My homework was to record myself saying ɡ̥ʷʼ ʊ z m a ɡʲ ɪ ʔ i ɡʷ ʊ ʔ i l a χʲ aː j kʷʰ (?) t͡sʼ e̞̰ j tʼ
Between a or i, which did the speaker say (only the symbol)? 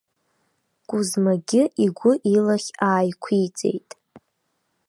i